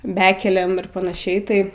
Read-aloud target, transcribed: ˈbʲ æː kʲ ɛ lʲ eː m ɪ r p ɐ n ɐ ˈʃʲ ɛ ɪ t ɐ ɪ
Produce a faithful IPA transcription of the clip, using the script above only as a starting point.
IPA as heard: ˈbʲ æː kʲ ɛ lʲ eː m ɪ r p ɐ n ɐ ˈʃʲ ɛ ɪ t ɐ ɪ